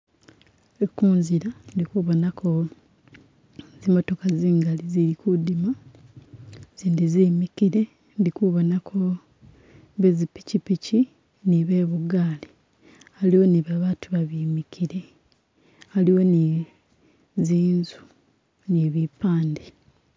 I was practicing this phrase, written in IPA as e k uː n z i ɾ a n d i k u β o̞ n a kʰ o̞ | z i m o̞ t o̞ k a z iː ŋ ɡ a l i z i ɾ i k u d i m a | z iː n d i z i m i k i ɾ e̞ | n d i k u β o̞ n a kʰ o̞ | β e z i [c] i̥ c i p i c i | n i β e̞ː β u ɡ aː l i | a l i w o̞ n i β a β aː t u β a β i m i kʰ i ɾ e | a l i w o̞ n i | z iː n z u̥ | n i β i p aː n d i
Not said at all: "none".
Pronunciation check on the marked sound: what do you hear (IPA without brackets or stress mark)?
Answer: p